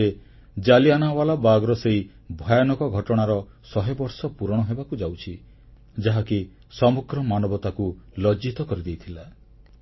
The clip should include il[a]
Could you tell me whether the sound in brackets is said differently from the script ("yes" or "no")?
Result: no